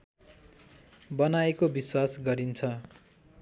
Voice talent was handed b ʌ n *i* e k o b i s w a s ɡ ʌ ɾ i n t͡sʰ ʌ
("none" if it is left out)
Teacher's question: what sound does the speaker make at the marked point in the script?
a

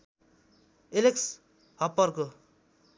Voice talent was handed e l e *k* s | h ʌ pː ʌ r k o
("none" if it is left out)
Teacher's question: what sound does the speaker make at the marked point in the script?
k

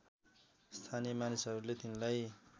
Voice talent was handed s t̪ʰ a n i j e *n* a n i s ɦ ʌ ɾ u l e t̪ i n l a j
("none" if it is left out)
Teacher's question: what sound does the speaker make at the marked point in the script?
m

